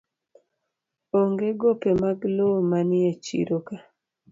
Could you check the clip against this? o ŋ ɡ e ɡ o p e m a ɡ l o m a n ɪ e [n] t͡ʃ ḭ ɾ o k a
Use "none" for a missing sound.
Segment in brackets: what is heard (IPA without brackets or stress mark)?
none